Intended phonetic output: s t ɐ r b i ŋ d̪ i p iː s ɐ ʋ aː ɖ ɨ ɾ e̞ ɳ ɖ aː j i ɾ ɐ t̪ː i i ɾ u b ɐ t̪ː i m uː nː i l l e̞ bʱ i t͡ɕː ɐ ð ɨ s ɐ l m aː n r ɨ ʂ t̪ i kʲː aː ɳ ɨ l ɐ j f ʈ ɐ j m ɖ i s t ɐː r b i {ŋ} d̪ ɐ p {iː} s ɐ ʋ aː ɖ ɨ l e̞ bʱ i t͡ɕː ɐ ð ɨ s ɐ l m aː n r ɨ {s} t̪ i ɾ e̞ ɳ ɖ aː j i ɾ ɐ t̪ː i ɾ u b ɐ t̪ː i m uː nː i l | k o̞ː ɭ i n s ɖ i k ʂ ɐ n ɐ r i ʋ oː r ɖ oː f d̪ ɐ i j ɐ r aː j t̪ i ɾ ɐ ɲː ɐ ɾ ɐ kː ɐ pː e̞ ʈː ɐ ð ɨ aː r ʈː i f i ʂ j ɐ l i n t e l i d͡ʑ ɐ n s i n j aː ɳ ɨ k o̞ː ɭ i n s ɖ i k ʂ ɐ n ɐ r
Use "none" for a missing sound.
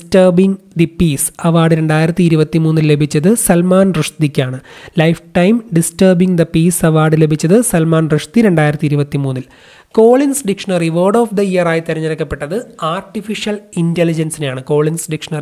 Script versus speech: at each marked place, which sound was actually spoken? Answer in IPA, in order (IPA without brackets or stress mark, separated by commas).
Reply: ŋ, iː, ʂ